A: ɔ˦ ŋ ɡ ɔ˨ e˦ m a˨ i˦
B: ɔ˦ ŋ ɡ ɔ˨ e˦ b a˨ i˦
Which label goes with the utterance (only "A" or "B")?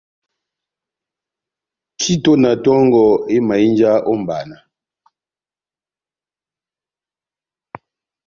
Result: A